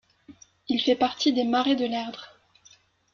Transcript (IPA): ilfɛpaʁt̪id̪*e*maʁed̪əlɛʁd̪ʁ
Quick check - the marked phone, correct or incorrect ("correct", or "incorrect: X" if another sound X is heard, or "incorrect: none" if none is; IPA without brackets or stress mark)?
correct